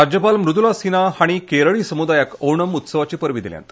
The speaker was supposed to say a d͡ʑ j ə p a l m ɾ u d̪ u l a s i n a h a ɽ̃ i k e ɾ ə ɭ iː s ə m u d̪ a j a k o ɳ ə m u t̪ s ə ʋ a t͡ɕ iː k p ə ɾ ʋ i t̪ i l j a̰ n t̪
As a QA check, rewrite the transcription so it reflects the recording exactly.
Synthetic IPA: a d͡ʑ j ə p a l m ɾ u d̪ u l a s i n a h a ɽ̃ i k e ɾ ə ɭ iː s ə m u d̪ a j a k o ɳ ə m u t̪ s ə ʋ a t͡ɕ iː p ə ɾ ʋ i d̪ i l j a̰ n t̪